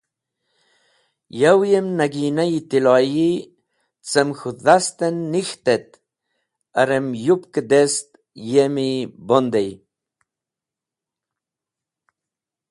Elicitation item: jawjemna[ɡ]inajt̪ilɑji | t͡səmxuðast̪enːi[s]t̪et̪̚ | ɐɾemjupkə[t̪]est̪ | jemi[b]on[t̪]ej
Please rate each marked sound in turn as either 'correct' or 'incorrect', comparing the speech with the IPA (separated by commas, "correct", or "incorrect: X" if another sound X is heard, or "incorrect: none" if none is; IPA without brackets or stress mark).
correct, incorrect: x, incorrect: d̪, correct, incorrect: d̪